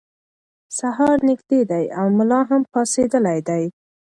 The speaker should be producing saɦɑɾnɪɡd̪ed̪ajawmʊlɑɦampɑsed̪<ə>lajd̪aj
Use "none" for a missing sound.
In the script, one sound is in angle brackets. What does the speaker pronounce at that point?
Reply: ə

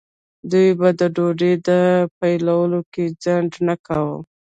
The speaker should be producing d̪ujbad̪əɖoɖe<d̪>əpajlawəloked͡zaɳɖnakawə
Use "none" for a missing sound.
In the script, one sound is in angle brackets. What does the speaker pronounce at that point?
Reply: d̪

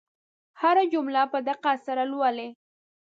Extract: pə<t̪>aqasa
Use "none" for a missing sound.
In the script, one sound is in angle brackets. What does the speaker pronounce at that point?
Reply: d̪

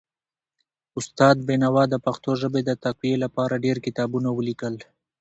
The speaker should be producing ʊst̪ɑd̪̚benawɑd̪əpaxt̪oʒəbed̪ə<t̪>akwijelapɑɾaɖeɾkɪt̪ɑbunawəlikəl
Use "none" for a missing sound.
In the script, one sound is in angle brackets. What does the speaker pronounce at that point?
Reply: t̪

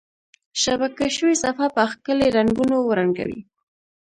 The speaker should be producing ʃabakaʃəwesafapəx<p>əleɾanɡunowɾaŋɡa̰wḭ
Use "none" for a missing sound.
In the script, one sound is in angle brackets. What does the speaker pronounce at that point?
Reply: k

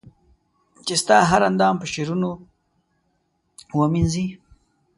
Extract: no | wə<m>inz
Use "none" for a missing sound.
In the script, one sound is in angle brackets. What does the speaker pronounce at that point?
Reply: m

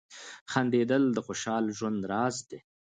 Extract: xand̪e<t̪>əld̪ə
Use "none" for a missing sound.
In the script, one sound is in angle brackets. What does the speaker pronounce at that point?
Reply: d̪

